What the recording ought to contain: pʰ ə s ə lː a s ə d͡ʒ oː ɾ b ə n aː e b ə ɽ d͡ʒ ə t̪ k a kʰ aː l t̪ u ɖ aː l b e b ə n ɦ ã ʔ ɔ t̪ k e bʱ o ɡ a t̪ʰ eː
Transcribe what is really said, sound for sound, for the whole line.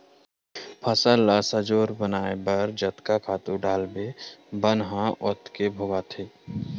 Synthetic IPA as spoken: pʰ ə s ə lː a s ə d͡ʒ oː ɾ b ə n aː e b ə ɾ d͡ʒ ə t̪ k a kʰ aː t̪ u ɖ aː l b e b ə n ɦ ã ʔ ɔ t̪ k e bʱ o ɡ a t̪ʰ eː